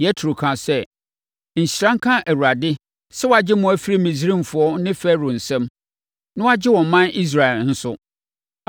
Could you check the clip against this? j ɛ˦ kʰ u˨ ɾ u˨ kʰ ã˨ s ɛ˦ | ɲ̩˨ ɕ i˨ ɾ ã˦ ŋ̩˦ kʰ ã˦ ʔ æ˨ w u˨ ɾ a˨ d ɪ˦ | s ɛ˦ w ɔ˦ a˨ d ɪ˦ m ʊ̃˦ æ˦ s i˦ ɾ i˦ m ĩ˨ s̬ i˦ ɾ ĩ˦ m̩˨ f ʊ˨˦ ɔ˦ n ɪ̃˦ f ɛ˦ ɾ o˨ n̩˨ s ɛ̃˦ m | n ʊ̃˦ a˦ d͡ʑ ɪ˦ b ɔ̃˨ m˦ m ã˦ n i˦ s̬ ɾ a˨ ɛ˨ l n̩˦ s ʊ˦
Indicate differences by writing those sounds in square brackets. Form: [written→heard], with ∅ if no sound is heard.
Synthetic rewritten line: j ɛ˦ [kʰ→tʰ] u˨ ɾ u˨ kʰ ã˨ s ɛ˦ | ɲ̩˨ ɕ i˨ ɾ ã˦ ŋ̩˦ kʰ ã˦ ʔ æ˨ w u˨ ɾ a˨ d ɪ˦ | s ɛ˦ w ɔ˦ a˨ [d→d͡ʑ] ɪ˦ m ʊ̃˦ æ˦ [s→f] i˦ ɾ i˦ m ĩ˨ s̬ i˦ ɾ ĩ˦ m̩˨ f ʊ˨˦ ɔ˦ n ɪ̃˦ f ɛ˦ ɾ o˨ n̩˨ s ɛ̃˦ m | n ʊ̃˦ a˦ d͡ʑ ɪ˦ [b→w] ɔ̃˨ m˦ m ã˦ n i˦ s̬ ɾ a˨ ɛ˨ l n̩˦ s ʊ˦